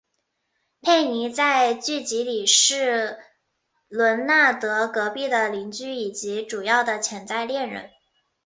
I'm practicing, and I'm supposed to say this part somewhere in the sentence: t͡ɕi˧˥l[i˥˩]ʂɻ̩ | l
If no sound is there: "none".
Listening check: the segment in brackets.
i˨˩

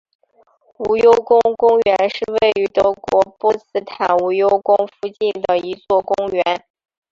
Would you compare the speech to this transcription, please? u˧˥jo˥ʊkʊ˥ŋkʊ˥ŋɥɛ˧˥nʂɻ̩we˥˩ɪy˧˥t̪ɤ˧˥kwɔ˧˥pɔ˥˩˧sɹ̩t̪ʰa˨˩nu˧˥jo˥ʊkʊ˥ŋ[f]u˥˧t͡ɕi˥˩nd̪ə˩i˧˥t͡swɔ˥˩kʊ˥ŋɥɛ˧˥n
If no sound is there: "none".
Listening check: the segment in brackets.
f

